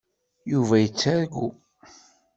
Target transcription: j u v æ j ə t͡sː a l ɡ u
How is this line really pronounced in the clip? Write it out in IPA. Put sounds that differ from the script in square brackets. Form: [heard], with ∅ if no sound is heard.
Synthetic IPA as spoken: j u v æ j ə t͡sː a [ɾ] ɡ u